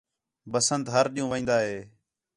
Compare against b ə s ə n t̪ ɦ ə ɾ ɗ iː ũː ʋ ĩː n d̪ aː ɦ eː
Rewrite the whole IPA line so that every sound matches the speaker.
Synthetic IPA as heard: b ə s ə n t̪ ɦ ə ɾ ɗ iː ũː ʋ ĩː n d̪ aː ɦ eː